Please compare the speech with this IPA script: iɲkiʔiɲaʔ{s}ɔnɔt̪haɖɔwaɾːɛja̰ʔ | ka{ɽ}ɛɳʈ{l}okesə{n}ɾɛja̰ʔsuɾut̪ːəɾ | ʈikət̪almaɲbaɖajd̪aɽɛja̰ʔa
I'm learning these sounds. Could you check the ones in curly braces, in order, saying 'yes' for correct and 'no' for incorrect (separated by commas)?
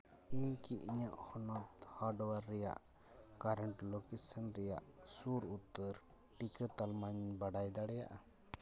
no, no, yes, yes